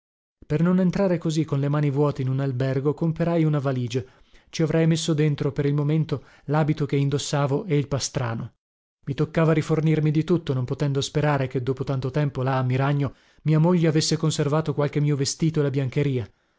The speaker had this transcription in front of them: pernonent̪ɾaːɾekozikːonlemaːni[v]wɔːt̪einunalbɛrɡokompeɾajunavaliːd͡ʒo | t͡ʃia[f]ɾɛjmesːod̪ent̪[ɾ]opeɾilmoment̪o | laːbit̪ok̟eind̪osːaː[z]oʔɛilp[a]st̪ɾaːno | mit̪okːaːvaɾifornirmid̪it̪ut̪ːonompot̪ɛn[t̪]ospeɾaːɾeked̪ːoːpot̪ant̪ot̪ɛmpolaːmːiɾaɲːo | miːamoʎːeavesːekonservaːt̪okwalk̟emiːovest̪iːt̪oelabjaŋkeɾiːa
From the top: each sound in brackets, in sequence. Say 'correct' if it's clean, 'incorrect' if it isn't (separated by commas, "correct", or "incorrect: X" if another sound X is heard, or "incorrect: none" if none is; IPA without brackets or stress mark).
correct, incorrect: v, correct, incorrect: v, correct, incorrect: d̪